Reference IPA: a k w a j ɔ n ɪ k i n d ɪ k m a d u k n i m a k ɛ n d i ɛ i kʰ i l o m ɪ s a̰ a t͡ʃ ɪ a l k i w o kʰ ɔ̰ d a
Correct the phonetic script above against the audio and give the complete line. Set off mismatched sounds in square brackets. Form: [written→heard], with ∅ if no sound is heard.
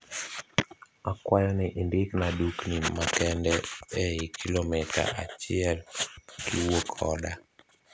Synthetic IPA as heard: a k w a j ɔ n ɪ [k→ʔ] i n d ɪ k [m→n] a d u k n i m a k ɛ n d [i→ɛ] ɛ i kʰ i l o m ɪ [s→t] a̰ a t͡ʃ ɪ [a→ɛ] l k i w o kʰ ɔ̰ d a